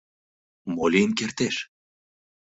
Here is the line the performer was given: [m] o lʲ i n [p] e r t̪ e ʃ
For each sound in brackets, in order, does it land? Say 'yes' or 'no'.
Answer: yes, no

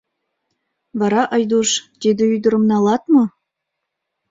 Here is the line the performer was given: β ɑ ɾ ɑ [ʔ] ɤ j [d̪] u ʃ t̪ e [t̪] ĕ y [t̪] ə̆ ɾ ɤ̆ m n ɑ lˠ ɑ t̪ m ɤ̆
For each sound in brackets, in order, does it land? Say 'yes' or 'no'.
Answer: yes, yes, no, no

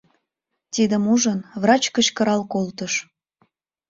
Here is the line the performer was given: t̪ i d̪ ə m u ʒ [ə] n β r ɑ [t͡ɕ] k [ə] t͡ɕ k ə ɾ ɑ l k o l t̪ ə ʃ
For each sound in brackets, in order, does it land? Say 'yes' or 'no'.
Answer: yes, yes, yes

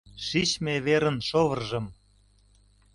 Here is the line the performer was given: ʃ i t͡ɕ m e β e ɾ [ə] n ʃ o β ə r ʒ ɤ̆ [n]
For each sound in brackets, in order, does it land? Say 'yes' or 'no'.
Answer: yes, no

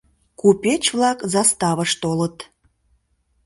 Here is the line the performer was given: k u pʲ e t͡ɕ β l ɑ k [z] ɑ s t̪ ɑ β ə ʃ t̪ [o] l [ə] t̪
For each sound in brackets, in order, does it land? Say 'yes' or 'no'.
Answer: yes, yes, yes

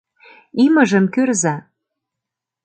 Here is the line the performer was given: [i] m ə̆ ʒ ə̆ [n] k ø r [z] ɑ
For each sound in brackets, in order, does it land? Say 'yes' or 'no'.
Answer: yes, no, yes

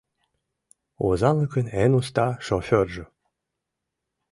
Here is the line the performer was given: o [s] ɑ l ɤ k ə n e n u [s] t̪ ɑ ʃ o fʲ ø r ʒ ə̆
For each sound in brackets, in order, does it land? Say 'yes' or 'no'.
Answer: no, yes

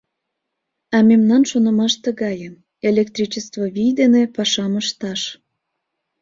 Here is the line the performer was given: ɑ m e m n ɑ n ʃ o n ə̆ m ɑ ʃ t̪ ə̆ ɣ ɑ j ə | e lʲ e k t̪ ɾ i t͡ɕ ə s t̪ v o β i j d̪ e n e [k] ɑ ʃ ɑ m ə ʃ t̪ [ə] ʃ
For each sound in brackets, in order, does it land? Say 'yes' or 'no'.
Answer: no, no

